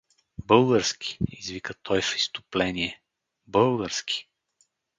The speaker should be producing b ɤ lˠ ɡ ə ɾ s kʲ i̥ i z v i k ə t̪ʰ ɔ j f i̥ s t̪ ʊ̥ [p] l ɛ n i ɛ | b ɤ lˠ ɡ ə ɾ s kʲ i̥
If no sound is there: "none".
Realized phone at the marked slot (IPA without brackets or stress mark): p